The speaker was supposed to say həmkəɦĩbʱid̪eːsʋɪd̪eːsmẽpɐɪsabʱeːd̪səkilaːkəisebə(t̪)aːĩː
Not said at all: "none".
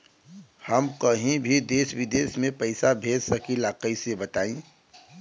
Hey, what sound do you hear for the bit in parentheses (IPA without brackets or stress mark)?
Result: t̪